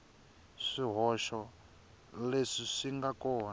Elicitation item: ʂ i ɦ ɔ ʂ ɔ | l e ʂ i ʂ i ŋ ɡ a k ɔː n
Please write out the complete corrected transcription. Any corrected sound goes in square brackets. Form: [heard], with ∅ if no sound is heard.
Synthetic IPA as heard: ʂ i ɦ ɔ [ʃ] ɔ | l e ʂ i ʂ i ŋ ɡ a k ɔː n